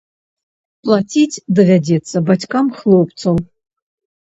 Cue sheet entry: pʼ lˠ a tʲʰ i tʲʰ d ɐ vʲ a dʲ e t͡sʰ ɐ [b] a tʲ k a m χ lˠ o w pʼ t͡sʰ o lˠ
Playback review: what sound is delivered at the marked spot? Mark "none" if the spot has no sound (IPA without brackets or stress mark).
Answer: b